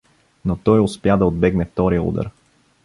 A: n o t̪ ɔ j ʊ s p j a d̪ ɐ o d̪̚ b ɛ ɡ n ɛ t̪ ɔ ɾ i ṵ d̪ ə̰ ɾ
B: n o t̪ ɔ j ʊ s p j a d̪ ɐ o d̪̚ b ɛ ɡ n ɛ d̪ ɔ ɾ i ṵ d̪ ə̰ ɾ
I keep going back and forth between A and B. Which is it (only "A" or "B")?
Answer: A